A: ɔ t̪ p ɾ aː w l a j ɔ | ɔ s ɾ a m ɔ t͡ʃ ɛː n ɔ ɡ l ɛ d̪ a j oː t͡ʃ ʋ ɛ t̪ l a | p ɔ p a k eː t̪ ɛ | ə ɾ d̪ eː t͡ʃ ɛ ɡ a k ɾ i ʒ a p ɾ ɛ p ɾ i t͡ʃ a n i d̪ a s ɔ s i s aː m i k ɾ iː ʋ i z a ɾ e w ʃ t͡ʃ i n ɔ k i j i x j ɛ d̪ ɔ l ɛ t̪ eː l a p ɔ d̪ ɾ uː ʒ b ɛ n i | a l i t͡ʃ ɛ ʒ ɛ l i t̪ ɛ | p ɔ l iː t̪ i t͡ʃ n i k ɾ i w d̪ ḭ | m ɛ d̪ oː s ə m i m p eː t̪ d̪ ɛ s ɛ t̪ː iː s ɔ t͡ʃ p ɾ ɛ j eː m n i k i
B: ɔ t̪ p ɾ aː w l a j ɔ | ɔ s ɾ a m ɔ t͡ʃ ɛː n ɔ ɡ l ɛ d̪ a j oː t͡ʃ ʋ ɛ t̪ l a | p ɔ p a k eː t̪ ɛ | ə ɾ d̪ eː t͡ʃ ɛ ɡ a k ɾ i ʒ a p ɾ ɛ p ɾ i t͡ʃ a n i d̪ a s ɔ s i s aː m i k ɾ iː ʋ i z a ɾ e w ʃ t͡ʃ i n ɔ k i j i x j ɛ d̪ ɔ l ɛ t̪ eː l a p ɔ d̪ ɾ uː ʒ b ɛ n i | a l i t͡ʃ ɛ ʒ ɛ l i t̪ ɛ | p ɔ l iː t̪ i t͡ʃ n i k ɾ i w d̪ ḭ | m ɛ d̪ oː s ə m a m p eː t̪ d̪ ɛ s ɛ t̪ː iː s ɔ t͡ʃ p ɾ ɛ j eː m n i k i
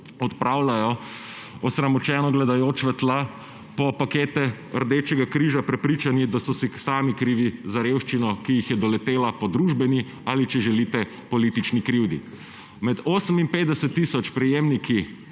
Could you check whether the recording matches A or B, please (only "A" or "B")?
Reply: A